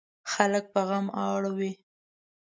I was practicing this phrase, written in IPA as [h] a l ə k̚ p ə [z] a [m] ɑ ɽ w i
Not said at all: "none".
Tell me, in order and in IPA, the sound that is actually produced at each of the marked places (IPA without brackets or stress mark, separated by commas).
x, ɣ, m